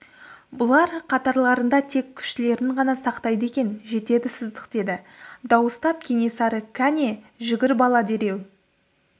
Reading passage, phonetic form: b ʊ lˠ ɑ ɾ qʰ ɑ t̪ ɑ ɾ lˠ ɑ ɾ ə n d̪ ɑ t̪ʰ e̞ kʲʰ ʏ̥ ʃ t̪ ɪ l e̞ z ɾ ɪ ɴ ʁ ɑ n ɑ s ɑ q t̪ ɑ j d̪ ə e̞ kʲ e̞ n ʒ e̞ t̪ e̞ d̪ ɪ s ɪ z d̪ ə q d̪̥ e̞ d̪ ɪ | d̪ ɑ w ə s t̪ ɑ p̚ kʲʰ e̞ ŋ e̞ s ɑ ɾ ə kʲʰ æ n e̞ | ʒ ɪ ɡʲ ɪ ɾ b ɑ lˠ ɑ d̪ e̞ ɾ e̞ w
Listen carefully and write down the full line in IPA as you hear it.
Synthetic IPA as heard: b ʊ lˠ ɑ ɾ qʰ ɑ t̪ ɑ ɾ lˠ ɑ ɾ ə n d̪ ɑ t̪ʰ e̞ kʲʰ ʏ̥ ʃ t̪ ɪ l e̞ ɾ ɪ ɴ ʁ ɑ n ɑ s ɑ q t̪ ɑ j d̪ ə e̞ kʲ e̞ n ʒ e̞ t̪ e̞ d̪ ɪ s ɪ z d̪ ə q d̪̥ e̞ d̪ ɪ | d̪ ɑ w ə s t̪ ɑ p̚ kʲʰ e̞ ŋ e̞ s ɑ ɾ ə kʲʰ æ n e̞ | ʒ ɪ ɡʲ ɪ ɾ b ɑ lˠ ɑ d̪ e̞ ɾ e̞ w